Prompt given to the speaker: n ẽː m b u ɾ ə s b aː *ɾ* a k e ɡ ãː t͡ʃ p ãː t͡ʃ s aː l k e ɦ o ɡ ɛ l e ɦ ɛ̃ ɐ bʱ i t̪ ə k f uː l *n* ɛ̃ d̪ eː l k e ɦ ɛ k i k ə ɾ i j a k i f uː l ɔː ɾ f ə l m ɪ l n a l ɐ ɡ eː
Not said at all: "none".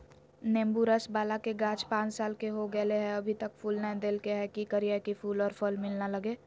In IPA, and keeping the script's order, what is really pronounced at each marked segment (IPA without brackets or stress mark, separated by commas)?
l, n